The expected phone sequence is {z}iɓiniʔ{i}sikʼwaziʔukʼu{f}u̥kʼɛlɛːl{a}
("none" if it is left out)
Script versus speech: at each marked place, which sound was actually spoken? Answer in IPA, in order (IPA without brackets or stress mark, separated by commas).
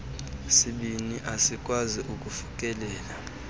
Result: s, a, f, a